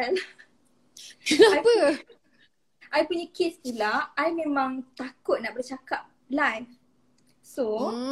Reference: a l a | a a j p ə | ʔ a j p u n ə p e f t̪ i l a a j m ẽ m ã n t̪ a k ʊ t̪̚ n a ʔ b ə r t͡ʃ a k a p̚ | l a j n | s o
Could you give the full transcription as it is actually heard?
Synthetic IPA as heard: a l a | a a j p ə | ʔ a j p u ɲ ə k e s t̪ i l a a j m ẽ m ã ŋ t̪ a k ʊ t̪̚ n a ʔ b ə r t͡ʃ a k a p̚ | l a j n | s o